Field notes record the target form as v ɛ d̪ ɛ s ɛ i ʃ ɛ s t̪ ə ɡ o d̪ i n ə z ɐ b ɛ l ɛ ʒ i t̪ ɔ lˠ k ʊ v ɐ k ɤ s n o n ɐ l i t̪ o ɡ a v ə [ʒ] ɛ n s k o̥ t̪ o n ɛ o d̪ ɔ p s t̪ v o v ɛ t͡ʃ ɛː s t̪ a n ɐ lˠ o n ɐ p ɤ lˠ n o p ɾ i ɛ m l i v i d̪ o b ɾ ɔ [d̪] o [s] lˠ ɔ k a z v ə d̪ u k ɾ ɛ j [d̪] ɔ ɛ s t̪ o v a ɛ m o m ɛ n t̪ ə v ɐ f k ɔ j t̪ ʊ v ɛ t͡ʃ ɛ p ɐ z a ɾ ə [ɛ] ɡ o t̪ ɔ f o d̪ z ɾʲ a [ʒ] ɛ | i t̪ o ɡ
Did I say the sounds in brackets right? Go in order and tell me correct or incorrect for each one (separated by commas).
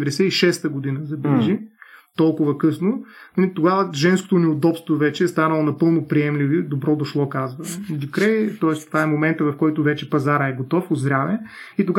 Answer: correct, correct, incorrect, incorrect, correct, incorrect